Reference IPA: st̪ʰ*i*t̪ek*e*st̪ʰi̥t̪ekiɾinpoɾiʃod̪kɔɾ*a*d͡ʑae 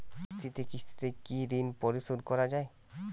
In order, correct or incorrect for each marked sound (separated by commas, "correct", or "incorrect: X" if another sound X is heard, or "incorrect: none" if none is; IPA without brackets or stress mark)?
correct, incorrect: i, correct